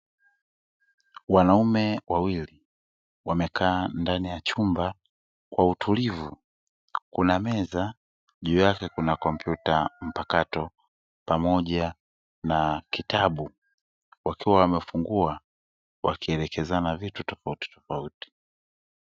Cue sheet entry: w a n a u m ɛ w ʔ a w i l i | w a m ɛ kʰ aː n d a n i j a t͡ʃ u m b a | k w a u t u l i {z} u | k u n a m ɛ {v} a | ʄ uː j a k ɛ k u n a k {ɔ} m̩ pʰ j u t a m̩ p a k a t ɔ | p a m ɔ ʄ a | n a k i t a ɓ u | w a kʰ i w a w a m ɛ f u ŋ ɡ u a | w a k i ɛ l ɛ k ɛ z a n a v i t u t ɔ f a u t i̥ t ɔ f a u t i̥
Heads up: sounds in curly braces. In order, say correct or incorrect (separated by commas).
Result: incorrect, incorrect, correct